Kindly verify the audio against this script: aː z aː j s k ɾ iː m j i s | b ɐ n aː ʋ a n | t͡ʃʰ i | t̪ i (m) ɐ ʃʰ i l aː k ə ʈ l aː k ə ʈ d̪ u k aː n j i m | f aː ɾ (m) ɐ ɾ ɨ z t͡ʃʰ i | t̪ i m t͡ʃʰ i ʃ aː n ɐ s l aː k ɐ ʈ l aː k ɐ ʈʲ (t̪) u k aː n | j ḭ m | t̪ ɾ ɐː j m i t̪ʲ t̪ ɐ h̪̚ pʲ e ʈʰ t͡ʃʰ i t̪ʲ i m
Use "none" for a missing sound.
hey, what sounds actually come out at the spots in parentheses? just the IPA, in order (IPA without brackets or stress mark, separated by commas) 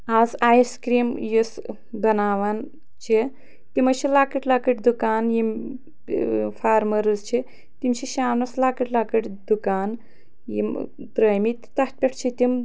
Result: m, m, d̪